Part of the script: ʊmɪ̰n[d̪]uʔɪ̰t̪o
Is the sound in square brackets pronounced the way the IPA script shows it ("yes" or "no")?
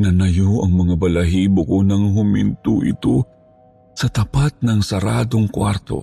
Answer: no